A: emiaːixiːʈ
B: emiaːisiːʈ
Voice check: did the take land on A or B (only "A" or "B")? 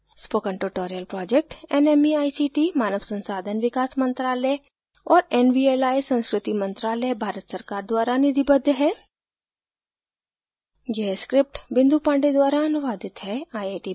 B